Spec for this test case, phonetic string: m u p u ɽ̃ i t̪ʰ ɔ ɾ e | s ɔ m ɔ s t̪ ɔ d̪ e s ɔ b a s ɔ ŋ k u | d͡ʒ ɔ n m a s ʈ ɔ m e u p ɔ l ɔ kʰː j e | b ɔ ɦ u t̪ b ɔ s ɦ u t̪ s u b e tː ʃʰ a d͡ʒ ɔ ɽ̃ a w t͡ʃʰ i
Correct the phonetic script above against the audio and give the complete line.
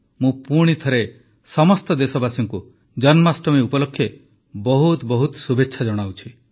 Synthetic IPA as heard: m ũ p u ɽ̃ i t̪ʰ ɔ ɾ e | s ɔ m ɔ s t̪ ɔ d̪ e s ɔ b a s ɔ ŋ k u | d͡ʒ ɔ n m a s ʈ ɔ m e u p ɔ l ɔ kʰː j e | b ɔ ɦ u t̪ b ɔ ɦ u t̪ s u b e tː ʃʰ a d͡ʒ ɔ ɽ̃ a w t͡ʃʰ i